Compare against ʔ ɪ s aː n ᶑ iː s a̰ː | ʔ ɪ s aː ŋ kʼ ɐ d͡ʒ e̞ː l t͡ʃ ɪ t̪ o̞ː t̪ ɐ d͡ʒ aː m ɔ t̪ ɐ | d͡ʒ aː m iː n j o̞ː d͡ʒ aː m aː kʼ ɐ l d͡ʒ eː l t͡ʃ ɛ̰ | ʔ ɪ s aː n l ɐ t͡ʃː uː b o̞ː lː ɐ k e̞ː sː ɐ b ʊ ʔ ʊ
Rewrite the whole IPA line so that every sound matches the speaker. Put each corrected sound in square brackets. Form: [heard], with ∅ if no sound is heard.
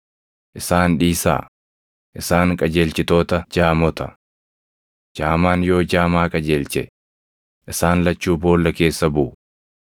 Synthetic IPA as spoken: ʔ ɪ s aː n ᶑ iː s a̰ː | ʔ ɪ s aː ŋ kʼ ɐ d͡ʒ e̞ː l t͡ʃ ɪ t̪ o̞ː t̪ ɐ d͡ʒ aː m ɔ t̪ ɐ | d͡ʒ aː m [aː] n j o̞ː d͡ʒ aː m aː kʼ ɐ [∅] d͡ʒ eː l t͡ʃ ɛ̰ | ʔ ɪ s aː n l ɐ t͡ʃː uː b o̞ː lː ɐ k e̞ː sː ɐ b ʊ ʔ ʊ